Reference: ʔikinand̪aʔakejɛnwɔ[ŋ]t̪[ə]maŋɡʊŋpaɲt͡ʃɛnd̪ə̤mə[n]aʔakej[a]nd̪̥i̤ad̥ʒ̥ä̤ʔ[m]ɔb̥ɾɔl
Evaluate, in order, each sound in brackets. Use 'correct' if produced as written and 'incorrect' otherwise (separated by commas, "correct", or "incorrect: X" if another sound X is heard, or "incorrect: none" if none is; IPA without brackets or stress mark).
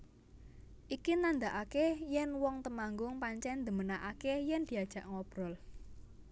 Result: correct, correct, correct, incorrect: ɛ, incorrect: ŋ